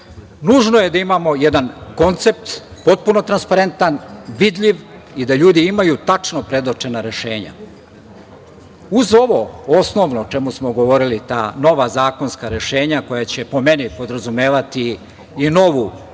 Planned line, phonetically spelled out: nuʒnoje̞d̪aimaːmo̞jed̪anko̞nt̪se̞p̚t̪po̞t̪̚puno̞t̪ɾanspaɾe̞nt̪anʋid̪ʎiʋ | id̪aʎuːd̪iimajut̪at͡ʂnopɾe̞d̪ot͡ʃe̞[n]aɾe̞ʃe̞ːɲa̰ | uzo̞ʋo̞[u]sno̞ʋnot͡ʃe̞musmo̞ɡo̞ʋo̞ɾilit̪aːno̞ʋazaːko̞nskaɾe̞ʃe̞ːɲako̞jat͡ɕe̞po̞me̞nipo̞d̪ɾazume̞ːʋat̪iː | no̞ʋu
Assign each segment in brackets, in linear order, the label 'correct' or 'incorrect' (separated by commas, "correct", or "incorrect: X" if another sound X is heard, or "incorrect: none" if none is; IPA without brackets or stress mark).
correct, incorrect: o